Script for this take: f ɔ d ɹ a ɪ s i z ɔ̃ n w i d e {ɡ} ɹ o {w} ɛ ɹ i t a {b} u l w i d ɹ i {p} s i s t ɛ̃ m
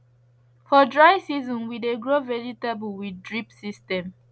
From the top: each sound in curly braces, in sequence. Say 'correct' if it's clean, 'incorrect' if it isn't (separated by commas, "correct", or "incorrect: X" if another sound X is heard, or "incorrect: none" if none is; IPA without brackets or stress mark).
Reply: correct, incorrect: v, correct, correct